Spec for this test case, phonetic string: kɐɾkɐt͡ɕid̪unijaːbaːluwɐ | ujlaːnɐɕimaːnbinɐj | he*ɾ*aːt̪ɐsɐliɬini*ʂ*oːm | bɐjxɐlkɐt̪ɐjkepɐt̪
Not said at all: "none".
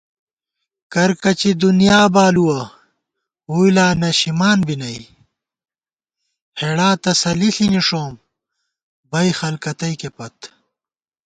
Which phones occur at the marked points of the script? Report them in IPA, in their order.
ɽ, ʂ

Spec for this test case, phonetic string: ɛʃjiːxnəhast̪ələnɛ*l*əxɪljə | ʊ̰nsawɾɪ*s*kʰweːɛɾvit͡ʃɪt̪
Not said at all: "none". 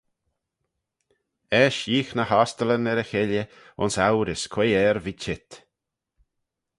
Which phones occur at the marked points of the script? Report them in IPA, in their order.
ɾ, s

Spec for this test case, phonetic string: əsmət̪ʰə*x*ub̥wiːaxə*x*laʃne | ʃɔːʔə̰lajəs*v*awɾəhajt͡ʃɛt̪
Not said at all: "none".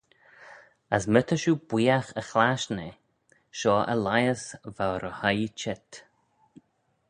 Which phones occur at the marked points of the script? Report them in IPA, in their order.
ʃ, x, v

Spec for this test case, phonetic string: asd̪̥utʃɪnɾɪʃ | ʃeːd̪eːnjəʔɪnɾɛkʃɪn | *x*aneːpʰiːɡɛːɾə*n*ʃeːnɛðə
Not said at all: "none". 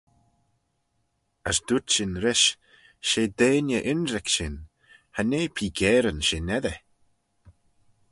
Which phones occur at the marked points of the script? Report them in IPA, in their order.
h, n

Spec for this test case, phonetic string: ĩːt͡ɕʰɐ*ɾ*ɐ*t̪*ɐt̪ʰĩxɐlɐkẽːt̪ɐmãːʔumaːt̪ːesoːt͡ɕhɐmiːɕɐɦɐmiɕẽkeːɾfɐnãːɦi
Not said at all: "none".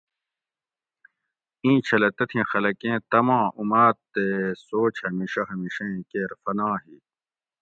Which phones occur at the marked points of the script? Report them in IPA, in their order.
l, t̪

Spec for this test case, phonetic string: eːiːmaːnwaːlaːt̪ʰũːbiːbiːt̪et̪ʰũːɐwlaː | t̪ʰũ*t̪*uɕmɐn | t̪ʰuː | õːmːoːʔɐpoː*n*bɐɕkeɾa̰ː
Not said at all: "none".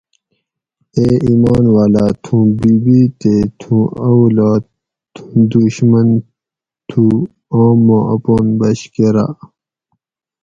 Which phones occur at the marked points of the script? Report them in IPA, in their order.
d̪, n

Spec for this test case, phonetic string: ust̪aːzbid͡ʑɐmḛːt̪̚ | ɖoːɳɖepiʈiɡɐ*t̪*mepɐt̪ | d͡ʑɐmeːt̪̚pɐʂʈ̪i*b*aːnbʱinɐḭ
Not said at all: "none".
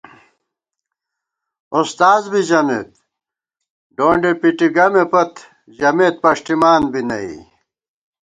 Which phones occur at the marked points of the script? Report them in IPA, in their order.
none, m

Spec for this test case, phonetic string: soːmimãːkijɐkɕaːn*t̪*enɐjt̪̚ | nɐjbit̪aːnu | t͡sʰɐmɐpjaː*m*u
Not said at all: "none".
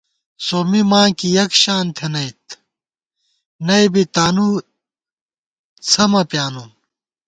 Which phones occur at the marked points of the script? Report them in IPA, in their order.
t̪ʰ, n

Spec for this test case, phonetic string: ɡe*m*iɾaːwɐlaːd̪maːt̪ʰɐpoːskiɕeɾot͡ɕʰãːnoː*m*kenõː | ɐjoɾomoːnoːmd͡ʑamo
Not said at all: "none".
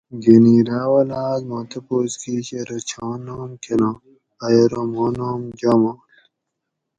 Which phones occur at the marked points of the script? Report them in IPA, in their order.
n, m

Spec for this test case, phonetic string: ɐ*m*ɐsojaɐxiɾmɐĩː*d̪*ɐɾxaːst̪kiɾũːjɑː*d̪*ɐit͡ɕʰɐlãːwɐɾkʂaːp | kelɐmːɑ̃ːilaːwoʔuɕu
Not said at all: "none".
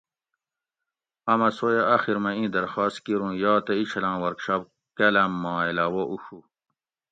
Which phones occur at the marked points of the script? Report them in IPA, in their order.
m, d̪, t̪

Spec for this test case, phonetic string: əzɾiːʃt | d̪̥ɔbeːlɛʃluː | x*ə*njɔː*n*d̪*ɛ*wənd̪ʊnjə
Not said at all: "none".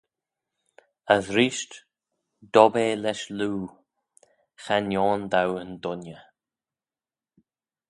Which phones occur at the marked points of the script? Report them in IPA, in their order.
a, n, a

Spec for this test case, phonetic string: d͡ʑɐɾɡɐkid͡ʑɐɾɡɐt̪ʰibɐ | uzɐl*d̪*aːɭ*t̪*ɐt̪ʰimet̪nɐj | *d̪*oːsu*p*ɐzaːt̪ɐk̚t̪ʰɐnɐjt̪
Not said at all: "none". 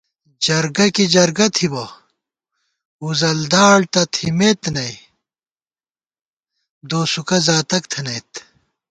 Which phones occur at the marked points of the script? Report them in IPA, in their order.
d̪, t̪, d̪, k

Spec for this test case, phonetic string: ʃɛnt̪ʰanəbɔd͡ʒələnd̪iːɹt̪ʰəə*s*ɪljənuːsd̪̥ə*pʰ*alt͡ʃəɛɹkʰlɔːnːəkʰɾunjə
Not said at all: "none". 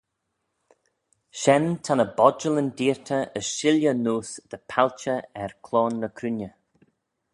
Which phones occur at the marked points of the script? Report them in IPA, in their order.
ʃ, pʰ

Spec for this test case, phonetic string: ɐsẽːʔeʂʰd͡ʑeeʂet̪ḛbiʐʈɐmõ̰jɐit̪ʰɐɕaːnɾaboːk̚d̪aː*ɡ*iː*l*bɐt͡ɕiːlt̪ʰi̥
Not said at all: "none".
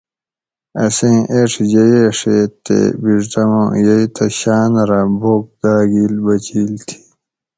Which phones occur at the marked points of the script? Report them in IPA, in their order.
ɡ, l

